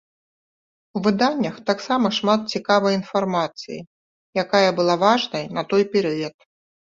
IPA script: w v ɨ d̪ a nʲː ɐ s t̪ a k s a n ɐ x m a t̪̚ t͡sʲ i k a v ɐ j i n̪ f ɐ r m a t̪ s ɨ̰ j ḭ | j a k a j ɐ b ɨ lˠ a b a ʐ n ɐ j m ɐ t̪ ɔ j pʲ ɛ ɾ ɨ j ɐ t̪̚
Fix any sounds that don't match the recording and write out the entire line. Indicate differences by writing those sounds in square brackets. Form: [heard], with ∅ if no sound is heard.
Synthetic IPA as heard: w v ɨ d̪ a nʲː ɐ [x] t̪ a k s a [m] ɐ [ʂ] m a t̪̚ t͡sʲ i k a v ɐ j i n̪ f [a] r m a t̪ s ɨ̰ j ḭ | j a k a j ɐ b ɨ lˠ a [v] a ʐ n ɐ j [n] ɐ t̪ ɔ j pʲ ɛ ɾ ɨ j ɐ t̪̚